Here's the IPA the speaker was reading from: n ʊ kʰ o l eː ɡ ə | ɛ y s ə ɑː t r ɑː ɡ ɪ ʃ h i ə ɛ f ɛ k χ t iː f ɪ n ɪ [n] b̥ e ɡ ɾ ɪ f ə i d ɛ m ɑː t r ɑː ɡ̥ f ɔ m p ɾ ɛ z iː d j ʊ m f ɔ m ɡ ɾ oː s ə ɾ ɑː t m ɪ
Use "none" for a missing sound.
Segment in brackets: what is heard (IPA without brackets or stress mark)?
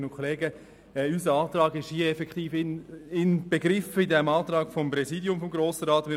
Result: n